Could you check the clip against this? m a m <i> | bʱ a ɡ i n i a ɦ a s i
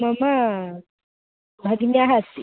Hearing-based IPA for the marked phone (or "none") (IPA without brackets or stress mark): a